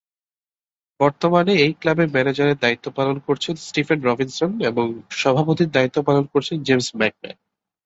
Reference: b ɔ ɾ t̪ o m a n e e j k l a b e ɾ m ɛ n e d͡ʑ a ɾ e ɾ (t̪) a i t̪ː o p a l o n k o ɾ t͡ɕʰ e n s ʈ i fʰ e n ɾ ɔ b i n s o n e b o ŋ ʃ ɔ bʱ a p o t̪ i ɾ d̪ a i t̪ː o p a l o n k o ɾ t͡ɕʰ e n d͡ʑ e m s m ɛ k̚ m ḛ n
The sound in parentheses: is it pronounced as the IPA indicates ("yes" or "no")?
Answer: no